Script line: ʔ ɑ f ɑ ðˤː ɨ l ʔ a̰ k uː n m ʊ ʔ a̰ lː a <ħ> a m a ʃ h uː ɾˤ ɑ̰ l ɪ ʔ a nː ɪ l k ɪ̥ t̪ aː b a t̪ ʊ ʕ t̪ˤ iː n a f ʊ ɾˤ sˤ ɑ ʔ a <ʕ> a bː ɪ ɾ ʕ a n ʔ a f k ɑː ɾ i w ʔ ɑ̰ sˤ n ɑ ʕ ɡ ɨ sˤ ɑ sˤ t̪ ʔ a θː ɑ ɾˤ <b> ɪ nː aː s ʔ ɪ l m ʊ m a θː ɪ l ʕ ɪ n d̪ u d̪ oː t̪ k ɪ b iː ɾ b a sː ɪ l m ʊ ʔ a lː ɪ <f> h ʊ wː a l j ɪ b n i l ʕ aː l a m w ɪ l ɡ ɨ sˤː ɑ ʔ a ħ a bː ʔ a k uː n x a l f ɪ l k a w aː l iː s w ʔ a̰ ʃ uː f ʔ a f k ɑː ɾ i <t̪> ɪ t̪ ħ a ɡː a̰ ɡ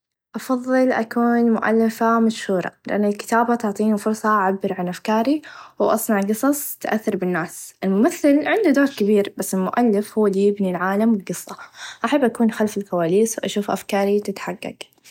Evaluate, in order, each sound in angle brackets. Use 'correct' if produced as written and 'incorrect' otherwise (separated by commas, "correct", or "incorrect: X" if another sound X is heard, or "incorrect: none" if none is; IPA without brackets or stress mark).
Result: incorrect: f, correct, correct, correct, correct